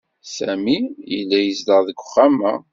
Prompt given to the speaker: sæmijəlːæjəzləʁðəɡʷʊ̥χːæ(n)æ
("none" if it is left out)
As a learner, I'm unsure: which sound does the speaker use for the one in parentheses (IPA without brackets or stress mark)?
m